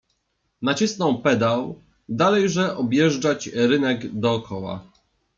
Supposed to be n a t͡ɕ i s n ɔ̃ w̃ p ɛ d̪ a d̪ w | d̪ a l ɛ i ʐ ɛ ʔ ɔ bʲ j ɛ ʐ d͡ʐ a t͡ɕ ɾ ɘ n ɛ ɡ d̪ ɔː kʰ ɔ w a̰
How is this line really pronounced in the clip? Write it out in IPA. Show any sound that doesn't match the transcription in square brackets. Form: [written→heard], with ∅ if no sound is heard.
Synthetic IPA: n a t͡ɕ i s n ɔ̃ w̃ p ɛ d̪ a [d̪→∅] w | d̪ a l ɛ [i→j] ʐ ɛ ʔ ɔ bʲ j ɛ ʐ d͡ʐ a t͡ɕ ɾ ɘ n ɛ ɡ d̪ ɔː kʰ ɔ w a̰